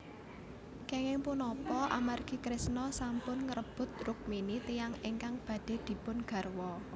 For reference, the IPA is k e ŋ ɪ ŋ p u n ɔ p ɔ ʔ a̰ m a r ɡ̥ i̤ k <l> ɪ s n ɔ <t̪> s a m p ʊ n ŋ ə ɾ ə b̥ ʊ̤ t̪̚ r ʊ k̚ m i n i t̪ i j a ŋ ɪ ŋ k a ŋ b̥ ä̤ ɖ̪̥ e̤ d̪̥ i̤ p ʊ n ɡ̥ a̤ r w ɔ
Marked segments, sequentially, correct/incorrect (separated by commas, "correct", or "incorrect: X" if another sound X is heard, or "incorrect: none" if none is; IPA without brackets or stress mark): incorrect: ɾ, incorrect: none